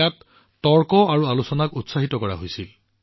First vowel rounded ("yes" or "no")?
no